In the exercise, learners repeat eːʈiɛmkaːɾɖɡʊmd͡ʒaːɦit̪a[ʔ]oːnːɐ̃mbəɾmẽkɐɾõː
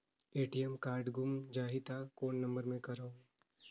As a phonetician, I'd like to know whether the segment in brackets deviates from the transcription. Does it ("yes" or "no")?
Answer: yes